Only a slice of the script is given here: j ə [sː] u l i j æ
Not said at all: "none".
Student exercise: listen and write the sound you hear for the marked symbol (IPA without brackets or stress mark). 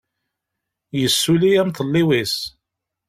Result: sː